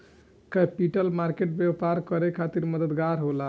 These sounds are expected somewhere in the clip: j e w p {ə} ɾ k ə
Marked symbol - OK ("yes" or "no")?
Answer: no